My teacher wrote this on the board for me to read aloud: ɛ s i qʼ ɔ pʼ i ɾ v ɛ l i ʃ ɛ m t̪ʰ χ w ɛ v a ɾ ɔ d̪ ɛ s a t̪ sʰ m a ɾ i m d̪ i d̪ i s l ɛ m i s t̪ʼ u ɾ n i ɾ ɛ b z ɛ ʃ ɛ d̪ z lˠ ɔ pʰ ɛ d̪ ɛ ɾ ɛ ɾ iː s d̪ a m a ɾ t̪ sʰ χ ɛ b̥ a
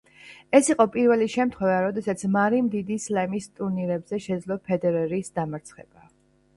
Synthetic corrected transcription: ɛ s i qʼ ɔ pʼ i ɾ v ɛ l i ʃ ɛ m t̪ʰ χ w ɛ v a ɾ ɔ d̪ ɛ s a t̪ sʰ m a ɾ i m d̪ i d̪ i s l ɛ m i s t̪ʼ u ɾ n i ɾ ɛ b z ɛ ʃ ɛ d̪ z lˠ ɔ pʰ ɛ d̪ ɛ ɾ ɛ ɾ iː s d̪ a m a ɾ t̪ sʰ χ ɛ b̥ a